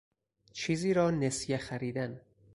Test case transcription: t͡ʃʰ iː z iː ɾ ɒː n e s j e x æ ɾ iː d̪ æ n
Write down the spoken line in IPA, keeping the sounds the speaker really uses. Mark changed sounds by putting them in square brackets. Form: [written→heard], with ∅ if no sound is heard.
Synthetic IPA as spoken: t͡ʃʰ iː z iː ɾ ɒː n e s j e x æ ɾ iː d̪ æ n